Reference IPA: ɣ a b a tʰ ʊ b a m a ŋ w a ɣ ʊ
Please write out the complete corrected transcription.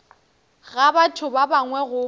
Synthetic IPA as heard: ɣ a b a tʰ ʊ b a b a ŋ w ɛ ɣ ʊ